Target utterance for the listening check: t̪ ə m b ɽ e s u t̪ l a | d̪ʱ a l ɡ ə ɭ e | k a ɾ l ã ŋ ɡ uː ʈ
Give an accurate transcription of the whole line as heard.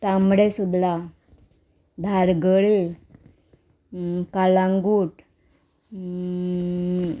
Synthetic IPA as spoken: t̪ a m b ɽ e s u d̪ l a | d̪ʱ a ɾ ɡ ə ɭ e | k a l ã ŋ ɡ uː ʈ